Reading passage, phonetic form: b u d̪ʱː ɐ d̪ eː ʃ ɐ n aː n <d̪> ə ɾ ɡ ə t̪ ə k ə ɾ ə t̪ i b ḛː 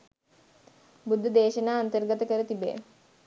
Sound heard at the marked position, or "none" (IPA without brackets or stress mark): t̪